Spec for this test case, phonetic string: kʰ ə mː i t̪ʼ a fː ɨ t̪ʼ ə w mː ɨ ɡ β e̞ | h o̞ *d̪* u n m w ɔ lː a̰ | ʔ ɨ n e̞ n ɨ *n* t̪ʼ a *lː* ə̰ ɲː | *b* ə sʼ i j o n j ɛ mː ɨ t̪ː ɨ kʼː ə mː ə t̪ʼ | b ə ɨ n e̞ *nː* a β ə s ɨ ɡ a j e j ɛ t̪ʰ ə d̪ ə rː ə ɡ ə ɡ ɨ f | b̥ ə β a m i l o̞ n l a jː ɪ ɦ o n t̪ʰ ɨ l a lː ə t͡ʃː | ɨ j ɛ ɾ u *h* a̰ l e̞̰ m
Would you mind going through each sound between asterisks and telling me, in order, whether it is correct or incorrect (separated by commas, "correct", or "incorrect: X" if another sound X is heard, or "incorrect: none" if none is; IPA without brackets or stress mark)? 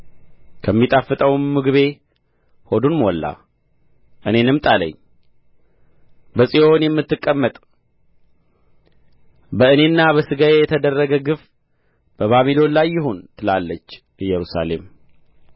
correct, incorrect: m, incorrect: l, correct, correct, incorrect: s